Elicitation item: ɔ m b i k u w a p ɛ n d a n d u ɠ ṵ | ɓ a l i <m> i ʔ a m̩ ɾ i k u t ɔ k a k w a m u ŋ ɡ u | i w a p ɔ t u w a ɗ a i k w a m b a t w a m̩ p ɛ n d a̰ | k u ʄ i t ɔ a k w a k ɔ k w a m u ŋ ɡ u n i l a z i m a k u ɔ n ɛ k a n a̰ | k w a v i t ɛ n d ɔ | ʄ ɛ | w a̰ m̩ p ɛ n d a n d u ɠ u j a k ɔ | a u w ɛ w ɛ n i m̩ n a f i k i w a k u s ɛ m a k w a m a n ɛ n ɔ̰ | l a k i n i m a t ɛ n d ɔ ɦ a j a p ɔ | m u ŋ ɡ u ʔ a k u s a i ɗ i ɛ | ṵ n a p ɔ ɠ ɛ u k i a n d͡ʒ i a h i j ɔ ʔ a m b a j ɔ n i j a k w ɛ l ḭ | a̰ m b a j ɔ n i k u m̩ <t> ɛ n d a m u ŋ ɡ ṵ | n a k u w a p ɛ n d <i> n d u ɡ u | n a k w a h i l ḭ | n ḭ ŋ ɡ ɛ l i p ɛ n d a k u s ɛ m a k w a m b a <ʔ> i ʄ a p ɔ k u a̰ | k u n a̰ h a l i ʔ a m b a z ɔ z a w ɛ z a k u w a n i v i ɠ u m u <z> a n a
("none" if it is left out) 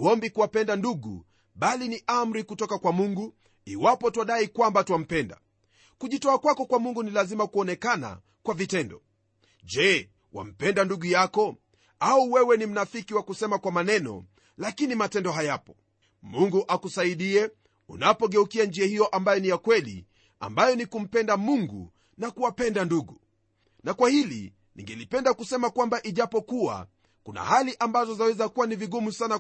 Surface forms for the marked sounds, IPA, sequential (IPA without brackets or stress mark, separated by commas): n, p, a, ʔ, s